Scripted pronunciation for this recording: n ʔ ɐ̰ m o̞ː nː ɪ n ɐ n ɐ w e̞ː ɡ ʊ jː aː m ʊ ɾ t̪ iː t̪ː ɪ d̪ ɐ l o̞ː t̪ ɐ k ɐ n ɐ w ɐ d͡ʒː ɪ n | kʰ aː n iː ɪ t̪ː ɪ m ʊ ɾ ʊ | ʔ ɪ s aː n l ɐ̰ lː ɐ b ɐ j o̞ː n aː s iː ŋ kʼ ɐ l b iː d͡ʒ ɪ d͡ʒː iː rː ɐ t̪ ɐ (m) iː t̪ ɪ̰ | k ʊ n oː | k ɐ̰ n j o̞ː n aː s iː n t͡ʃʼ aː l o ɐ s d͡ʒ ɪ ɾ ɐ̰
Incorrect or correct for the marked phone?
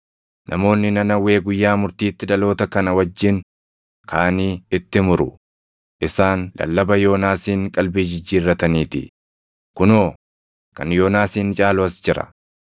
incorrect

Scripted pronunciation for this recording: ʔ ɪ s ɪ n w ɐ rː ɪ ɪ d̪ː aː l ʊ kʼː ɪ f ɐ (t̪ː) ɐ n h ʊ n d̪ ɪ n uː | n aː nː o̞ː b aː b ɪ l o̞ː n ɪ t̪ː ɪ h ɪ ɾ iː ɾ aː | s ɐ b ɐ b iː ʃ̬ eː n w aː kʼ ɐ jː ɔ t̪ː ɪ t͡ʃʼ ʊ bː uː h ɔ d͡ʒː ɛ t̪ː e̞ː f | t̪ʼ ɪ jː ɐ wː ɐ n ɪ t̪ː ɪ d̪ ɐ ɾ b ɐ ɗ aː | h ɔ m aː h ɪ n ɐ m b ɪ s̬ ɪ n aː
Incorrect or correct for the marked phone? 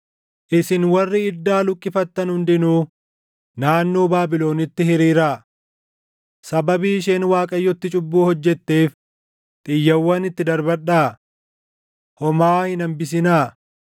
correct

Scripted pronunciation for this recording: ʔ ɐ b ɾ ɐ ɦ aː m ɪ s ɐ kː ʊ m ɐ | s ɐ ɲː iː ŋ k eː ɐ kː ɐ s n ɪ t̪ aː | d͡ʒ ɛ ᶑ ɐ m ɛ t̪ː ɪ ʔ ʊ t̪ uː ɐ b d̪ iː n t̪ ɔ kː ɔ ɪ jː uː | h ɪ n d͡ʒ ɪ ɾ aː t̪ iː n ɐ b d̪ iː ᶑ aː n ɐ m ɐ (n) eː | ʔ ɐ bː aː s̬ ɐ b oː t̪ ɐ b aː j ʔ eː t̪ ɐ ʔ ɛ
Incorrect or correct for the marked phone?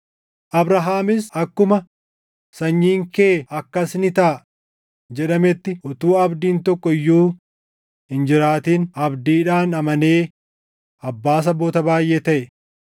correct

